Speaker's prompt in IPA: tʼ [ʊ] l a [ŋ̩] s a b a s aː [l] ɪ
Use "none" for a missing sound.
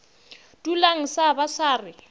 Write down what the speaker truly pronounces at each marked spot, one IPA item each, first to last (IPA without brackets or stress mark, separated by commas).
u, ŋ̩, r